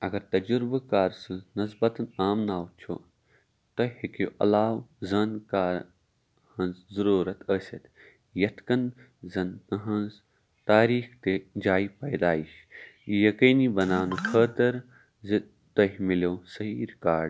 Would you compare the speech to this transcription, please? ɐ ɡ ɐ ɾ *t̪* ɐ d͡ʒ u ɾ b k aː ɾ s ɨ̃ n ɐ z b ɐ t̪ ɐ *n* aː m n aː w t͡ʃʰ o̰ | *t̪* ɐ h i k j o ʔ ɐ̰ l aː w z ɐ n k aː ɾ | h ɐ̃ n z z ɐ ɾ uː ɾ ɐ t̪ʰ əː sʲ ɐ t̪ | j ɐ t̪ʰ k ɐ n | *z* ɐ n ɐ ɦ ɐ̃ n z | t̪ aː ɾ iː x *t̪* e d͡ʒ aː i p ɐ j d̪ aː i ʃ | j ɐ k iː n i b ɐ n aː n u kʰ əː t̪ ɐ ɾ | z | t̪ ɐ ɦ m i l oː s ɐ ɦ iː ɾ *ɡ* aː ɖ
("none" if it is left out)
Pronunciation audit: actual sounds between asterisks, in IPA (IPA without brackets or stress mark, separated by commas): t̪, n, t̪, z, t̪, k